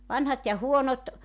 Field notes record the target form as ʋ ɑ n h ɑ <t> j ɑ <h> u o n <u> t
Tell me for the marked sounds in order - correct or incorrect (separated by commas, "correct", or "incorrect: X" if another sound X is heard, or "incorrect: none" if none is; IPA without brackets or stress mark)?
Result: correct, correct, incorrect: o